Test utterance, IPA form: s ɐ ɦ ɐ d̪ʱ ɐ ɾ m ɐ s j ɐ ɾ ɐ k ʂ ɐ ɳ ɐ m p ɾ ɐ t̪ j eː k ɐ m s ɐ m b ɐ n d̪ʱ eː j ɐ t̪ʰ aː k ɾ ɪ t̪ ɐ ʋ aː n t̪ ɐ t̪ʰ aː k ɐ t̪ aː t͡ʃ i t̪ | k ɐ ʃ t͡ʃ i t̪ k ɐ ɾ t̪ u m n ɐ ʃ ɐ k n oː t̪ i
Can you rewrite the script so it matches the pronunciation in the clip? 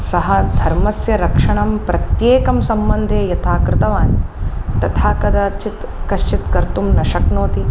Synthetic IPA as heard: s ɐ ɦ ɐ d̪ʱ ɐ ɾ m ɐ s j ɐ ɾ ɐ k ʂ ɐ ɳ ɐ m p ɾ ɐ t̪ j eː k ɐ m s ɐ m b ɐ n d̪ʱ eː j ɐ t̪ʰ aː k ɾ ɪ t̪ ɐ ʋ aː n t̪ ɐ t̪ʰ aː k ɐ d̪ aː t͡ʃ i t̪ | k ɐ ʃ t͡ʃ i t̪ k ɐ ɾ t̪ u m n ɐ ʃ ɐ k n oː t̪ i